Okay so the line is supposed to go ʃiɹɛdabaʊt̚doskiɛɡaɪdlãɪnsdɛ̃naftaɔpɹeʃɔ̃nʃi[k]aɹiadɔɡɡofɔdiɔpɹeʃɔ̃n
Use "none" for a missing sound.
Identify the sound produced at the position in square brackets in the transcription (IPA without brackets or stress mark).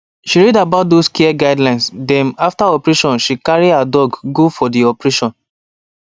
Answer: k